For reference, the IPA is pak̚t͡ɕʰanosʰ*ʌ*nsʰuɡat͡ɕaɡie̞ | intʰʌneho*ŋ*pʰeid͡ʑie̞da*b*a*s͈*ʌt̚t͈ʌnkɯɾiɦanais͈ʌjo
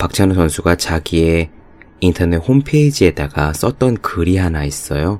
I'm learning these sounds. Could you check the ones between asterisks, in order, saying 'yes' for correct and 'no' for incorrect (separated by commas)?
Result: yes, no, no, yes